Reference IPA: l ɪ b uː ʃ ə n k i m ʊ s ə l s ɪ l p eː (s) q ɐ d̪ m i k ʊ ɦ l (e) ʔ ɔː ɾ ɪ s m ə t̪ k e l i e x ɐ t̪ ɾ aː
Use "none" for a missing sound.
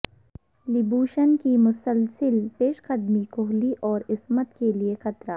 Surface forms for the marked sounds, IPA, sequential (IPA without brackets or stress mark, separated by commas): ʃ, i